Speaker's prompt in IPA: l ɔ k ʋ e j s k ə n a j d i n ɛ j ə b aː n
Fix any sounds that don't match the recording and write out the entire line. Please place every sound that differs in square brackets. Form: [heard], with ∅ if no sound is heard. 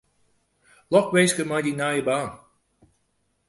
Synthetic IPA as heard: l ɔ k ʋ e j s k ə [m] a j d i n [a] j ə b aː n